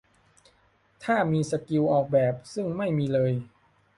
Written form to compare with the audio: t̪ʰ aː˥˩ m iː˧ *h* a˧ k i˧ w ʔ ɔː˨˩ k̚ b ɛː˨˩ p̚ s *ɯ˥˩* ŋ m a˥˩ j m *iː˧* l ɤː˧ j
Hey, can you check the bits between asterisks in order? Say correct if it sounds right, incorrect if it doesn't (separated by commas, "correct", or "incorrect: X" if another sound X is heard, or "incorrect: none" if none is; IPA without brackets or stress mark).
incorrect: s, correct, correct